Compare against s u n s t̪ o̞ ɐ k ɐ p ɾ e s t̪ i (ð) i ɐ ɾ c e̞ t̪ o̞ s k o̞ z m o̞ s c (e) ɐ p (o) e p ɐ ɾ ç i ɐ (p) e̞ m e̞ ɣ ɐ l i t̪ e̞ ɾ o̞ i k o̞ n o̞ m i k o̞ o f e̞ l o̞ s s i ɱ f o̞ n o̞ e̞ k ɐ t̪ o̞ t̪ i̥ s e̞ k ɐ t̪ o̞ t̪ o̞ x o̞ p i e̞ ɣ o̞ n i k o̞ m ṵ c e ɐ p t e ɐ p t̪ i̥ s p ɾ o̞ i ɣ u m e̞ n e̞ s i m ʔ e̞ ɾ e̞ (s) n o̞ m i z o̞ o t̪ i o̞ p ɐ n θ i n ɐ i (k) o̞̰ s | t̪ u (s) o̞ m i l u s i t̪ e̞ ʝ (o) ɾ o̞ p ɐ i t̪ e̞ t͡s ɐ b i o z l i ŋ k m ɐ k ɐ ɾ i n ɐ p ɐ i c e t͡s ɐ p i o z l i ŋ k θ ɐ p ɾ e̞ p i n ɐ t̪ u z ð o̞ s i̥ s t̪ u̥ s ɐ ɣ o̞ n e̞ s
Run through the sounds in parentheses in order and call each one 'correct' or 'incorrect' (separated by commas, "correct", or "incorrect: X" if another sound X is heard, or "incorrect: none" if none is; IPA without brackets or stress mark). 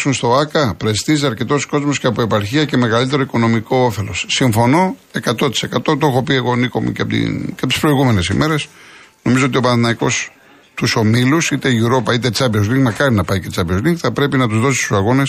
incorrect: z, correct, correct, incorrect: c, correct, correct, correct, incorrect: u